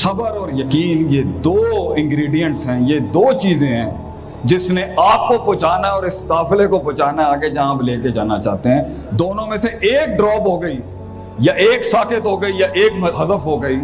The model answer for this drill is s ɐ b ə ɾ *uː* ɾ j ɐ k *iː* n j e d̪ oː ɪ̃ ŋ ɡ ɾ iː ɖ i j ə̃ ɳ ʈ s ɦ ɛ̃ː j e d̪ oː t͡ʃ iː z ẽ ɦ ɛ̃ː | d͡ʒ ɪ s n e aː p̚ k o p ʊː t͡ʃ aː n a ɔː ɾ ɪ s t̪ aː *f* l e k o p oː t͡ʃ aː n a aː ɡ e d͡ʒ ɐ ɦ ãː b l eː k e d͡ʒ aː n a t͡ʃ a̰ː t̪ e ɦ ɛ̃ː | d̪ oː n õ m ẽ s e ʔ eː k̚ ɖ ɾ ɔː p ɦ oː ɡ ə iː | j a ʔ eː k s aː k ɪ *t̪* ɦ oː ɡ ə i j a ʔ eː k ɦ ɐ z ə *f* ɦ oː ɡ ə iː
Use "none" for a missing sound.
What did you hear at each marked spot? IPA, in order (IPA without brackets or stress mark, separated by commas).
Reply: ɔː, iː, f, t̪, f